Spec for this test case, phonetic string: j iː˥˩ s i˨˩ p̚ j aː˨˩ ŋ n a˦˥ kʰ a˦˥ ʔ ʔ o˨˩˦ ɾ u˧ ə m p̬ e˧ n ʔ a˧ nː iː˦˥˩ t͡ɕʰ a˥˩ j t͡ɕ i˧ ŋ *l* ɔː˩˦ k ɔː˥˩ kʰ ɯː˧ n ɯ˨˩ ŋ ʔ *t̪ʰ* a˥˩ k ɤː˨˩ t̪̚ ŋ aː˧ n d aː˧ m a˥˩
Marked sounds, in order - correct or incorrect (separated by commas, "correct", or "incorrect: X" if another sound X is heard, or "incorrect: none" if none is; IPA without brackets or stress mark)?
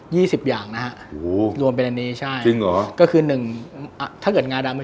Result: correct, correct